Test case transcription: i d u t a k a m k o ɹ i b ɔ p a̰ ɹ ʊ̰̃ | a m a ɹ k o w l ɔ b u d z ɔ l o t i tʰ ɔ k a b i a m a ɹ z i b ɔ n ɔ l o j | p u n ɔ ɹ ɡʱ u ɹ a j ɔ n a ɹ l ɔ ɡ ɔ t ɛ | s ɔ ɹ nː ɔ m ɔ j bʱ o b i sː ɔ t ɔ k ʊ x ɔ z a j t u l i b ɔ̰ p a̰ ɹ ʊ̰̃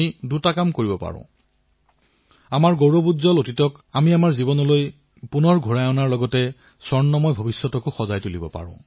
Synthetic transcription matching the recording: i d u t a k a m k o ɹ i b ɔ p a̰ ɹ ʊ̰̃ | a m a ɹ ɡ o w ɹ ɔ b u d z ɔ l o t i t ɔ k a m i a m a ɹ z i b ɔ n ɔ l o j | p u n ɔ ɹ ɡʱ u ɹ a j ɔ n a ɹ l ɔ ɡ ɔ t ɛ | s ɔ ɹ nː ɔ m ɔ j bʱ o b i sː ɔ t ɔ k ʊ x ɔ z a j t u l i b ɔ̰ p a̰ ɹ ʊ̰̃